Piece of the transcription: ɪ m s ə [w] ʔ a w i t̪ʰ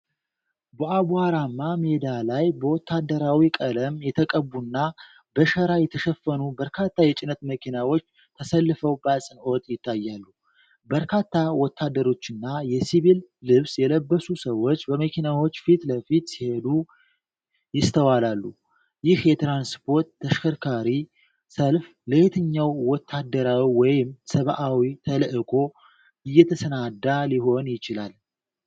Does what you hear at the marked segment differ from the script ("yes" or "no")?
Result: yes